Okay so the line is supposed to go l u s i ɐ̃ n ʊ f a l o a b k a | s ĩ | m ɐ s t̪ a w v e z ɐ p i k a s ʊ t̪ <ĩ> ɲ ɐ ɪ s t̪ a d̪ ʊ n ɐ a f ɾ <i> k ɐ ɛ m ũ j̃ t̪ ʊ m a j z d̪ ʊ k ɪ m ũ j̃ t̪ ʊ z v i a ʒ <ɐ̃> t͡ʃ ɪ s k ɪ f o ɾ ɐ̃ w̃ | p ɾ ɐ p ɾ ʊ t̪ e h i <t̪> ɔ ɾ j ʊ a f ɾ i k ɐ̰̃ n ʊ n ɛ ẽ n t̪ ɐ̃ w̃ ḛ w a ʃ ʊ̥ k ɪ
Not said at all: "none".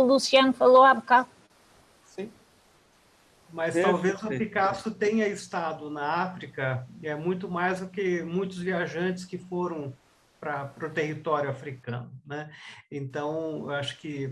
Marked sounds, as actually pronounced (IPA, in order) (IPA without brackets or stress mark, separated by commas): ẽ, i, ɐ̃, t̪